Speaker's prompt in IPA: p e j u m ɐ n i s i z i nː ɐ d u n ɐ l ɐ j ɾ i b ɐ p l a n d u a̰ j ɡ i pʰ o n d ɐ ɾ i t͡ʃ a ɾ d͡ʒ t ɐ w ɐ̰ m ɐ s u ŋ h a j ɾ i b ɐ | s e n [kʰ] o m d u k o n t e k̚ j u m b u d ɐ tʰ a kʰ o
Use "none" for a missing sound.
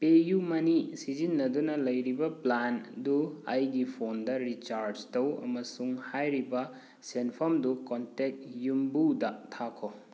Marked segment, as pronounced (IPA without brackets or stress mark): pʰ